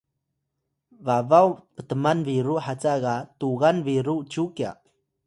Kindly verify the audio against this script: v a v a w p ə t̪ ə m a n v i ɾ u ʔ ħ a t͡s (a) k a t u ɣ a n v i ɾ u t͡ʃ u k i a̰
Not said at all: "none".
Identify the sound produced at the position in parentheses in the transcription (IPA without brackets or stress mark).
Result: a